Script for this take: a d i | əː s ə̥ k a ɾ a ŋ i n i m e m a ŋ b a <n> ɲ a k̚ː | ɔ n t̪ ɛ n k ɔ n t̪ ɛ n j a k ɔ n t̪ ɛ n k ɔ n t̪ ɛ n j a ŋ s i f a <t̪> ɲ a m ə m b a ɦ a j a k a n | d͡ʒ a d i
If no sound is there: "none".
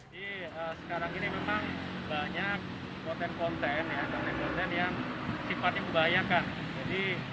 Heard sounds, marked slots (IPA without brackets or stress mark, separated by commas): none, t̪